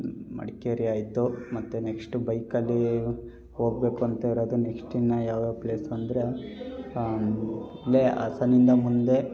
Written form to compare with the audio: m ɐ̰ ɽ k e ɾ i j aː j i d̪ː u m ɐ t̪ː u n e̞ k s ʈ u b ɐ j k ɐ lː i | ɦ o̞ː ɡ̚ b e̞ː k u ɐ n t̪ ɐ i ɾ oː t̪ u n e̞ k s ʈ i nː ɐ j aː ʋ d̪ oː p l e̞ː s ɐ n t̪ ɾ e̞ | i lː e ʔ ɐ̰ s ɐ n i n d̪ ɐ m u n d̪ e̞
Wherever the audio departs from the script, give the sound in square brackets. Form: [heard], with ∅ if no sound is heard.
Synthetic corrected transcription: m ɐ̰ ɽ k e ɾ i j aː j i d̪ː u m ɐ t̪ː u n e̞ k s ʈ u b ɐ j k ɐ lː i | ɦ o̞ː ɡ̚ b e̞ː k u ɐ n t̪ ɐ i ɾ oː [d̪] u n e̞ k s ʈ i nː ɐ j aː ʋ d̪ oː p l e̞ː s ɐ n [d̪] ɾ e̞ | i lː e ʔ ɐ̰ s ɐ n i n d̪ ɐ m u n d̪ e̞

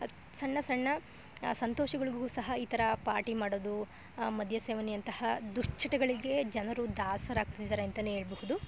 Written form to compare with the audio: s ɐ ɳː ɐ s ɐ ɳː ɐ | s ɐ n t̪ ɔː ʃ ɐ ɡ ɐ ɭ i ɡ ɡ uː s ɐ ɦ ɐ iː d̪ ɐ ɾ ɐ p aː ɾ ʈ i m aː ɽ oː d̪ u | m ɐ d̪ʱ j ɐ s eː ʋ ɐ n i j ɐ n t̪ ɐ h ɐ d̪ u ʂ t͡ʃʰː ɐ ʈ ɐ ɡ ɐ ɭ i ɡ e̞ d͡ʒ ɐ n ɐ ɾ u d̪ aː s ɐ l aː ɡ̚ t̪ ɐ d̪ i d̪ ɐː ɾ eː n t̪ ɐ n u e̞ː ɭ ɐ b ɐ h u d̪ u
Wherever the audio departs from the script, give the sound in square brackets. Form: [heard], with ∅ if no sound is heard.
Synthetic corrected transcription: s ɐ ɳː ɐ s ɐ ɳː ɐ | s ɐ n t̪ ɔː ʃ ɐ ɡ ɐ ɭ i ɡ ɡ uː s ɐ ɦ ɐ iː [t̪] ɐ ɾ ɐ p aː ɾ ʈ i m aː ɽ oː d̪ u | m ɐ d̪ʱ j ɐ s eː ʋ ɐ n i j ɐ n t̪ ɐ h ɐ d̪ u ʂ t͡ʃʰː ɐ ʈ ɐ ɡ ɐ ɭ i ɡ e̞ d͡ʒ ɐ n ɐ ɾ u d̪ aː s ɐ [ɾ] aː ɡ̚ t̪ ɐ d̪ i d̪ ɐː ɾ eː n t̪ ɐ n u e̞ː ɭ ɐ b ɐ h u d̪ u

